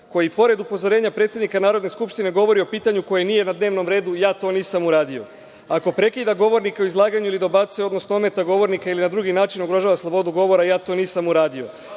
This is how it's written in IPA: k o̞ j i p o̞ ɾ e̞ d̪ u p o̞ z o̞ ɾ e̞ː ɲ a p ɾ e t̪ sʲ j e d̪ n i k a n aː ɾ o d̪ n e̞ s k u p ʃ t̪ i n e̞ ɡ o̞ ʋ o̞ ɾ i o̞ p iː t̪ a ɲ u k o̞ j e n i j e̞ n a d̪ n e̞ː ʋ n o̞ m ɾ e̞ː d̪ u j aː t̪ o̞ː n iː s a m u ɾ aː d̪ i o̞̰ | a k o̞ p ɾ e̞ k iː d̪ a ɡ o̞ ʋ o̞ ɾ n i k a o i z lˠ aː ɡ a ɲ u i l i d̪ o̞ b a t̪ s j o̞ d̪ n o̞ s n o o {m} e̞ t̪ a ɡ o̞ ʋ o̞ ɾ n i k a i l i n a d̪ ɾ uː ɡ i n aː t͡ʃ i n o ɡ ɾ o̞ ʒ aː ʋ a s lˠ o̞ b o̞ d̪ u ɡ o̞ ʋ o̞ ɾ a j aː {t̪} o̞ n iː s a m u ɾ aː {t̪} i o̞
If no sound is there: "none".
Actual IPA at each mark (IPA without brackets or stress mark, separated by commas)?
m, t̪, d̪